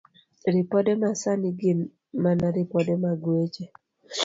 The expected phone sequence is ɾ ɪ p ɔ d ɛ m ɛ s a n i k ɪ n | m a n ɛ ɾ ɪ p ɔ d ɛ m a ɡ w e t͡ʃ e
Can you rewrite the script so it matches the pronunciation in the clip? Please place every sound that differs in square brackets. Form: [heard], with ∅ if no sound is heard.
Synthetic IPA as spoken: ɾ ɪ p ɔ d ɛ m [a] s a n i [ɡ] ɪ n | m a n [a] ɾ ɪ p ɔ d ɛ m a ɡ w e t͡ʃ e